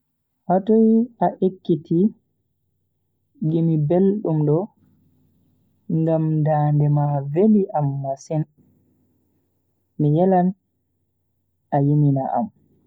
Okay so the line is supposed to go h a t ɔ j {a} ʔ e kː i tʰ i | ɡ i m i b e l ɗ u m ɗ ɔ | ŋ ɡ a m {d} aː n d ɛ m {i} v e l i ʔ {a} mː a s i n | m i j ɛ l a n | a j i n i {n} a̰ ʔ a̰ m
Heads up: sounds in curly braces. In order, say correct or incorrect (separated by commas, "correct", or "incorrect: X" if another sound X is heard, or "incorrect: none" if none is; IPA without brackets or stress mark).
correct, correct, incorrect: a, correct, correct